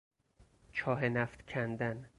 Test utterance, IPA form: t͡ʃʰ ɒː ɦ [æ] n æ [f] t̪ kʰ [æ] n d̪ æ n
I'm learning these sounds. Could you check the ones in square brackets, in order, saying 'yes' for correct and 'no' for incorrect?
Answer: no, yes, yes

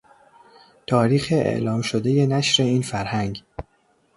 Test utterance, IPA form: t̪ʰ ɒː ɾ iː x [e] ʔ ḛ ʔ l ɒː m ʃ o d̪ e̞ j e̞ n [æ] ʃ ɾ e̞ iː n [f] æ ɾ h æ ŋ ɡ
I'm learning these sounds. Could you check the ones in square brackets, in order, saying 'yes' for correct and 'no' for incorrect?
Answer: yes, yes, yes

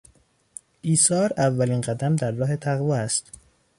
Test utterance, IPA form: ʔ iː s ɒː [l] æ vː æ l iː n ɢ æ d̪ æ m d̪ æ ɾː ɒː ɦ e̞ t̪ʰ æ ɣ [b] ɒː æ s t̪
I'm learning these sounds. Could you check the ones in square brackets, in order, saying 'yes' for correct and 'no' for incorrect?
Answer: no, no

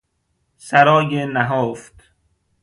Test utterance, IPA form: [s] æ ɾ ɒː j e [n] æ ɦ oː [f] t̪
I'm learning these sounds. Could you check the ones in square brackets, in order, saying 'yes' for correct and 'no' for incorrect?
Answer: yes, yes, yes

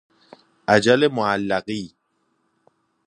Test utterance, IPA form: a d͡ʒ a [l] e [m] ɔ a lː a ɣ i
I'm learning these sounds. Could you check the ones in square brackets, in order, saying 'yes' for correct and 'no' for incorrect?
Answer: yes, yes

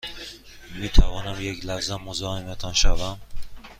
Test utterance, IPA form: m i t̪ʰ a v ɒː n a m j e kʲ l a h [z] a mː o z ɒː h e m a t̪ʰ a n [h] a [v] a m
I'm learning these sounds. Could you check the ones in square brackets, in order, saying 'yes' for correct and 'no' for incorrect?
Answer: yes, no, yes

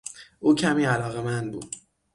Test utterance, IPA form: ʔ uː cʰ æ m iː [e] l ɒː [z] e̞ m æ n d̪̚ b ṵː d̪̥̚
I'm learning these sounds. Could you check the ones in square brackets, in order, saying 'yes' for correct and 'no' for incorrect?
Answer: no, no

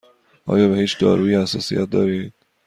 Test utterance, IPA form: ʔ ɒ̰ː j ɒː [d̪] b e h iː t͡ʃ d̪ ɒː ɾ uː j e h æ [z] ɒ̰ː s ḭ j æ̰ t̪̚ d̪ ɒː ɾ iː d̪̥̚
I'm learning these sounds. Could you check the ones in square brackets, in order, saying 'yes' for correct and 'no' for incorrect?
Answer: no, no

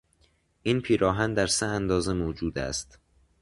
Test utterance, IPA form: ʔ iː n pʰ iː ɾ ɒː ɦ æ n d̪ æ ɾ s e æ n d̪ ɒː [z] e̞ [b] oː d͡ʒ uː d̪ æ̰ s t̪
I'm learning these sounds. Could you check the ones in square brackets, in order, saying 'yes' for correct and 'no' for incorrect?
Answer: yes, no

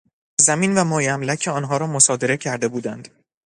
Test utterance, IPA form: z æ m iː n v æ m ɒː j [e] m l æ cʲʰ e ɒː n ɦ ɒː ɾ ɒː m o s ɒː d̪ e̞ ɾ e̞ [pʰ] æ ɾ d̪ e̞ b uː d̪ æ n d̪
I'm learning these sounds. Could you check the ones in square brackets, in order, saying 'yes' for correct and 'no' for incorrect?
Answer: no, no

